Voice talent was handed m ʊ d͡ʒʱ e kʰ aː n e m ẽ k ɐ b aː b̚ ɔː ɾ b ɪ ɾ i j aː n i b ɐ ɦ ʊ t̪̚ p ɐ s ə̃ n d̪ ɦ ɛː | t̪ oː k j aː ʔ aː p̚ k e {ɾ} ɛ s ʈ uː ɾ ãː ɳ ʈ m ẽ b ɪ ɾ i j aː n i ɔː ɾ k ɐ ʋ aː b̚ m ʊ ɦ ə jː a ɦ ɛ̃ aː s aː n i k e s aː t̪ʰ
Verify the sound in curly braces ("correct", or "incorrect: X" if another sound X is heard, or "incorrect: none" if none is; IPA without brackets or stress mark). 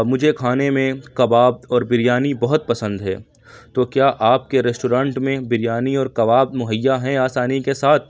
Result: correct